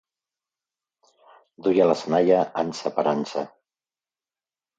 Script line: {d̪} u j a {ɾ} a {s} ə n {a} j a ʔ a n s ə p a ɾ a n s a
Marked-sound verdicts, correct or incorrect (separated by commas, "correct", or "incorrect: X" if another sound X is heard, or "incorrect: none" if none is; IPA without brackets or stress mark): correct, incorrect: l, correct, correct